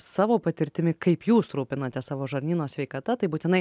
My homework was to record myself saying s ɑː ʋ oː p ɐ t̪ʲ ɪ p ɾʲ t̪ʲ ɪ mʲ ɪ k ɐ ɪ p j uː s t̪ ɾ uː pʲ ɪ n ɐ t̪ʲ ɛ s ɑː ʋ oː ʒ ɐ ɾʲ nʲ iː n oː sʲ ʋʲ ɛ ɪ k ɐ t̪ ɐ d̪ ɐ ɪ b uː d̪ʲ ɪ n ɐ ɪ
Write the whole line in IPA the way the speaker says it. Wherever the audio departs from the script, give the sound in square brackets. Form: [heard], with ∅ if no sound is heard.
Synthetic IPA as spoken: s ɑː ʋ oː p ɐ t̪ʲ ɪ [∅] ɾʲ t̪ʲ ɪ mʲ ɪ k ɐ ɪ p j uː s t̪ ɾ uː pʲ ɪ n ɐ t̪ʲ ɛ s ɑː ʋ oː ʒ ɐ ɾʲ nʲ iː n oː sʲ ʋʲ ɛ ɪ k ɐ t̪ ɐ [t̪] ɐ ɪ b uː [t̪ʲ] ɪ n ɐ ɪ